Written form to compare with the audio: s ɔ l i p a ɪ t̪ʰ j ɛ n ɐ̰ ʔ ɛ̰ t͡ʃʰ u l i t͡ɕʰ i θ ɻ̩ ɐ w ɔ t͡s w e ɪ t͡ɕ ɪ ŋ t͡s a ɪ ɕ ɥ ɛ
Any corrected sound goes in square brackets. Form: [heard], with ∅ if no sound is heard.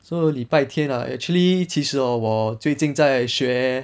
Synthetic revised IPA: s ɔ l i p a ɪ t̪ʰ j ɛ n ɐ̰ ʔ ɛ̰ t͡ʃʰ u l i t͡ɕʰ i [ʂ] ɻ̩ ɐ w ɔ t͡s w e ɪ t͡ɕ [i] ŋ t͡s a ɪ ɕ ɥ ɛ